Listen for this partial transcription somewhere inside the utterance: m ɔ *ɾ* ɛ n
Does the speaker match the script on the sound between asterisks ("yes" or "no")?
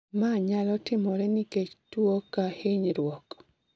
yes